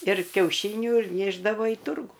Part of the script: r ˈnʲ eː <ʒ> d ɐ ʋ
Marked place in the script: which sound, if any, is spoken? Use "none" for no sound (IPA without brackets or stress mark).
ʒ